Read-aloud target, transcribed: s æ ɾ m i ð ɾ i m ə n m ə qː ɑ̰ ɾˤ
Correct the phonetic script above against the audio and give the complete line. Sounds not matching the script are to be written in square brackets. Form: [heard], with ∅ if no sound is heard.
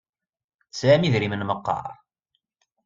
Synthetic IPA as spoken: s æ [∅] m i ð ɾ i m ə n m ə qː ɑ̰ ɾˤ